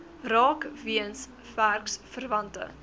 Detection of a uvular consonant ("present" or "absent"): absent